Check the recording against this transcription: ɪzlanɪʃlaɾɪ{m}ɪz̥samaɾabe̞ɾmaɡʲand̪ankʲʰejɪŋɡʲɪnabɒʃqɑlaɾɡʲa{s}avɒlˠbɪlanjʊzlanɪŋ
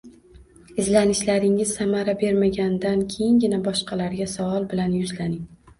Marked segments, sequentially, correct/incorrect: incorrect: ŋ, correct

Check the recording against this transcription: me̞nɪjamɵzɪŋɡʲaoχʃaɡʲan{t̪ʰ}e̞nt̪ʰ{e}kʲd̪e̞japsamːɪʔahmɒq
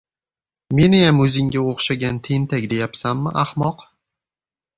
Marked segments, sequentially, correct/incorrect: correct, incorrect: a

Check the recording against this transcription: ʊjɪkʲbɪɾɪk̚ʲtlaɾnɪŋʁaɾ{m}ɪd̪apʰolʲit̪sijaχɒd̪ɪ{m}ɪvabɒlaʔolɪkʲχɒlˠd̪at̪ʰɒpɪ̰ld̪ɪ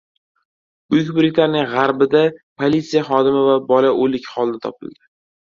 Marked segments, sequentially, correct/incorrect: incorrect: b, correct

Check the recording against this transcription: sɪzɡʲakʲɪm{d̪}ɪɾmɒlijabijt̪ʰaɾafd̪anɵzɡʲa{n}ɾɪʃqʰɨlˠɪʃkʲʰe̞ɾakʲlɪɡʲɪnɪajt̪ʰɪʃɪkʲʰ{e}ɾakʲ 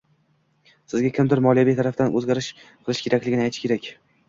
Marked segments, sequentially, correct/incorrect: correct, incorrect: none, correct

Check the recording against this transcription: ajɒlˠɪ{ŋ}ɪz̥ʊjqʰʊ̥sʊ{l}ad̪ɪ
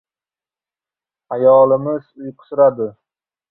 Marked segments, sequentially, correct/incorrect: incorrect: m, incorrect: ɾ

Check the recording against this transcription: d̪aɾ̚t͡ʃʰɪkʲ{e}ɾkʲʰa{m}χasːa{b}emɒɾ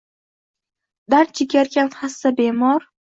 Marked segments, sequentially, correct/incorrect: incorrect: a, incorrect: n, correct

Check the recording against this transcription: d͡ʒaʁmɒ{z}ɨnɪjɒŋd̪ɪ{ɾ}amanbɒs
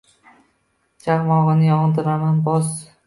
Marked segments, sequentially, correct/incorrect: incorrect: ʁ, correct

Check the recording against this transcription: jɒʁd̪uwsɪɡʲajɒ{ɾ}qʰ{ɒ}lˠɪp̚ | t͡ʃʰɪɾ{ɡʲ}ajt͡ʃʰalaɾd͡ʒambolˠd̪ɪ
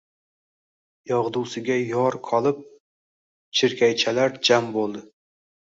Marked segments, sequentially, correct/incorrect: correct, correct, incorrect: kʲ

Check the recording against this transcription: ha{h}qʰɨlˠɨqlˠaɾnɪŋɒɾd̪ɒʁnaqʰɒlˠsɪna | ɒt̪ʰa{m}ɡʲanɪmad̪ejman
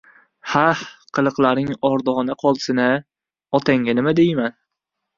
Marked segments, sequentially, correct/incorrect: correct, incorrect: ŋ

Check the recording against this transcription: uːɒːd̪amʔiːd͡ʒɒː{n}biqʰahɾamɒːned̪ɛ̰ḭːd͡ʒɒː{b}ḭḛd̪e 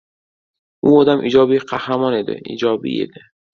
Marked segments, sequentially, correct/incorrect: incorrect: none, correct

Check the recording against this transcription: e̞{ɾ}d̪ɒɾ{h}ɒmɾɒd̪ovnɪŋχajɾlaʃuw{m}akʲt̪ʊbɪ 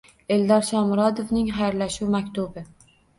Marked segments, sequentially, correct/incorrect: incorrect: l, incorrect: ʃ, correct

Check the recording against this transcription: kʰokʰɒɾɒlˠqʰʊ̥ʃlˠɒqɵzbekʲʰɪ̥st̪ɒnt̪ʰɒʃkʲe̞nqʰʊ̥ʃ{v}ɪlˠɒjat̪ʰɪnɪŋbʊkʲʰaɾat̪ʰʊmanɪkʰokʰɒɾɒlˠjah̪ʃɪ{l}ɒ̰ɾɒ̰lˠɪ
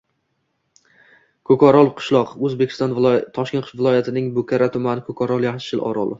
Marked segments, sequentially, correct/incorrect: correct, correct

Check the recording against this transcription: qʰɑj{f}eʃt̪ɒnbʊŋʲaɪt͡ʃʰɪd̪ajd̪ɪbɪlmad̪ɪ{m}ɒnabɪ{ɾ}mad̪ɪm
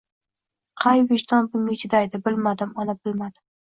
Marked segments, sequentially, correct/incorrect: incorrect: v, correct, incorrect: l

